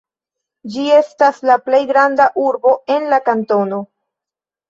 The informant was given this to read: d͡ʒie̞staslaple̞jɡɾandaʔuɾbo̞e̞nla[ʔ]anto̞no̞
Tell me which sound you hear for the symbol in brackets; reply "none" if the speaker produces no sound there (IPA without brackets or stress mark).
k